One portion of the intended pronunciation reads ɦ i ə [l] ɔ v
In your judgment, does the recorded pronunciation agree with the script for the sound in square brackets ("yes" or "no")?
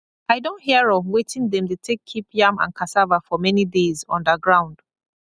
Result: no